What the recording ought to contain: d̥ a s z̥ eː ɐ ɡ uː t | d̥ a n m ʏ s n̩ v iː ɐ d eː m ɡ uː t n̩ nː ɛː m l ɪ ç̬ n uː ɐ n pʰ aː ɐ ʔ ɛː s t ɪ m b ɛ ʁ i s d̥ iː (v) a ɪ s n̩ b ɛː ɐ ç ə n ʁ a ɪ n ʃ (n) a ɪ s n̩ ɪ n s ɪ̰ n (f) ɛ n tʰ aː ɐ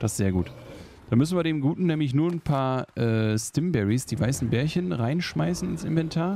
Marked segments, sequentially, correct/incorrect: correct, incorrect: m, incorrect: v

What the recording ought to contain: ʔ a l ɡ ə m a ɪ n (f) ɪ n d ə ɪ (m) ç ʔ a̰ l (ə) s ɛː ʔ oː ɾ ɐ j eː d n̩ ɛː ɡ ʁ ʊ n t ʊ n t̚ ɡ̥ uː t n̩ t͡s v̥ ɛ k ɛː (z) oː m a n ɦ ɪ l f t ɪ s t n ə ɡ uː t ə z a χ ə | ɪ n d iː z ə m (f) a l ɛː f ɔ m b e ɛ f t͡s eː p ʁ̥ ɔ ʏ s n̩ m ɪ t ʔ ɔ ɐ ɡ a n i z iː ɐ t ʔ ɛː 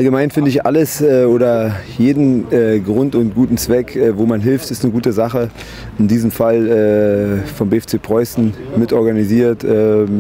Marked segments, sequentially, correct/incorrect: correct, incorrect: none, correct, incorrect: v, correct

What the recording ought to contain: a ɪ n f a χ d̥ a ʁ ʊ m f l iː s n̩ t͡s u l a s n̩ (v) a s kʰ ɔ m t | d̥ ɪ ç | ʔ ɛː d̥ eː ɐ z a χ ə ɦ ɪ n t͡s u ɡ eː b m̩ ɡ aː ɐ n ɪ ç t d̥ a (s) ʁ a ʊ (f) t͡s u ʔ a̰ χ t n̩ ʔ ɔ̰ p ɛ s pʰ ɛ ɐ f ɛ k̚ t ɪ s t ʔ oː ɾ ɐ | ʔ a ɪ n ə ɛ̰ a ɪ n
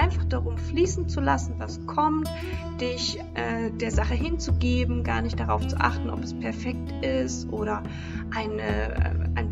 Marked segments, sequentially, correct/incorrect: correct, incorrect: none, correct

